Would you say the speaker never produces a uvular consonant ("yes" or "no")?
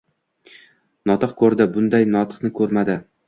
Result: no